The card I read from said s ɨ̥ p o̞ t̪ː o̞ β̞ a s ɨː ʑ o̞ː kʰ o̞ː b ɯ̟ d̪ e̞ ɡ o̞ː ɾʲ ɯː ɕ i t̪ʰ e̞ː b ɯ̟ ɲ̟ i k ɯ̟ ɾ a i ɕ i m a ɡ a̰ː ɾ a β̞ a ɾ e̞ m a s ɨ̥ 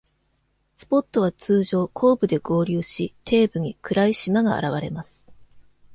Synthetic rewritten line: s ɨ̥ p o̞ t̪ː o̞ β̞ a t͡s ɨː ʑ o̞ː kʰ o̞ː b ɯ̟ d̪ e̞ ɡ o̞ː ɾʲ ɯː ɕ i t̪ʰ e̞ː b ɯ̟ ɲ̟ i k ɯ̟ ɾ a i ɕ i m a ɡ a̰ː ɾ a β̞ a ɾ e̞ m a s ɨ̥